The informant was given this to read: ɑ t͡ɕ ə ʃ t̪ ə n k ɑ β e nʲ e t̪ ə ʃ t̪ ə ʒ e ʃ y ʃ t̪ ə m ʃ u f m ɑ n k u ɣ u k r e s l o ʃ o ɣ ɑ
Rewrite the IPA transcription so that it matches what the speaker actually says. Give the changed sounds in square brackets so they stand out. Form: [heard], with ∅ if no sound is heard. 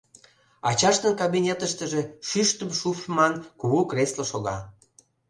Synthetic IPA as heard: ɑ t͡ɕ [ɑ] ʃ t̪ ə n k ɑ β [i] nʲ e t̪ ə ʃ t̪ ə ʒ e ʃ y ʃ t̪ ə m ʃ u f m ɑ n k u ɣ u k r e s l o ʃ o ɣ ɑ